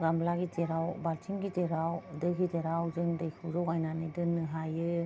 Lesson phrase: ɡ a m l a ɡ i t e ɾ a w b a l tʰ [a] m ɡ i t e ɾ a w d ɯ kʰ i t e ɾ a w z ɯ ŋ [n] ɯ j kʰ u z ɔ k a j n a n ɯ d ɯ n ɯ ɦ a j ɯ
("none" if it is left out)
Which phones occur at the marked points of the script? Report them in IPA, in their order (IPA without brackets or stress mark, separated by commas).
i, d